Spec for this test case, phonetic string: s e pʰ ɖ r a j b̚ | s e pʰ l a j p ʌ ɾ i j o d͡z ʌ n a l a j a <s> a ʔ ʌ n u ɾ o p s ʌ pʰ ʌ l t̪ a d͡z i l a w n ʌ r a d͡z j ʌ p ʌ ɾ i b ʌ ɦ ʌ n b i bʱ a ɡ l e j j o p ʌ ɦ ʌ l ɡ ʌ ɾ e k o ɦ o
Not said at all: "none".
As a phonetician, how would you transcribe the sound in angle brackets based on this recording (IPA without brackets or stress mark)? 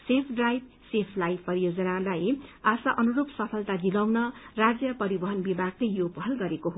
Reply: s